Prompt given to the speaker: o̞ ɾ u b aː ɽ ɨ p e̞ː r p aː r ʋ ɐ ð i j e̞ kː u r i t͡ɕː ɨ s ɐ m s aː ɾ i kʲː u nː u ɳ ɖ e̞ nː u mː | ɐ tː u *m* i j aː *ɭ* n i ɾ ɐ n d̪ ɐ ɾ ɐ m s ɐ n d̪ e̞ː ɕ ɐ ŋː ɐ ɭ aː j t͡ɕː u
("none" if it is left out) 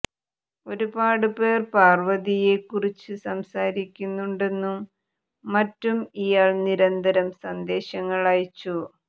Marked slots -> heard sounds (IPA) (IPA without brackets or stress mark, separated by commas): m, ɭ